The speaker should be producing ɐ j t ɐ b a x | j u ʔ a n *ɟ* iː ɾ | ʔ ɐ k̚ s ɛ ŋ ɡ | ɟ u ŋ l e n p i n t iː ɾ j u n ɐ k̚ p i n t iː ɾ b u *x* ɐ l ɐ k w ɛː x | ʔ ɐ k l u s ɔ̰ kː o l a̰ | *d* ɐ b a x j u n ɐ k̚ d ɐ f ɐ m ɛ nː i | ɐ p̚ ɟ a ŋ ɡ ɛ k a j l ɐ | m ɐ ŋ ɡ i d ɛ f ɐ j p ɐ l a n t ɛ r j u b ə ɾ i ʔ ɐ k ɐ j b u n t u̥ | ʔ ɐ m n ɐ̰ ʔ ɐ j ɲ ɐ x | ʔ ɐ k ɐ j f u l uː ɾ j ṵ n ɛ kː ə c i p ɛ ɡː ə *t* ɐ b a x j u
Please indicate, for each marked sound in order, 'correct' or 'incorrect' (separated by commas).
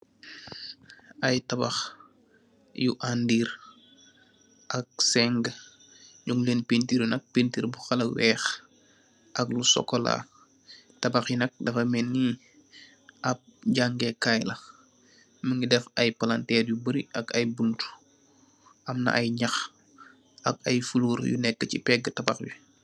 incorrect, correct, incorrect, correct